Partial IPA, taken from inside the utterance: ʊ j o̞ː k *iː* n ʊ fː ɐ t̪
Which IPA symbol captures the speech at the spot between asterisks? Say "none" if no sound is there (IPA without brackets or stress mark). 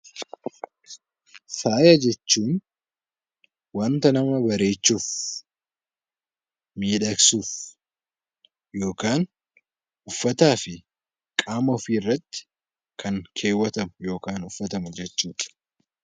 aː